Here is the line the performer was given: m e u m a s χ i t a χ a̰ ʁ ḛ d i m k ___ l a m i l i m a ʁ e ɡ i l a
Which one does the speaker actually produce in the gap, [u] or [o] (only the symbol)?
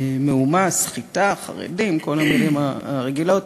o